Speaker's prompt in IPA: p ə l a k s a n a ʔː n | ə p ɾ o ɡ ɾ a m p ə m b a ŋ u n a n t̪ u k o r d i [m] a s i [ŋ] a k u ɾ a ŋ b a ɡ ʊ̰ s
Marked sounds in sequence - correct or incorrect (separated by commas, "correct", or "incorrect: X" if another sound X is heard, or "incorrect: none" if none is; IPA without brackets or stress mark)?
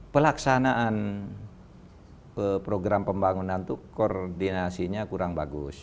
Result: incorrect: n, incorrect: ɲ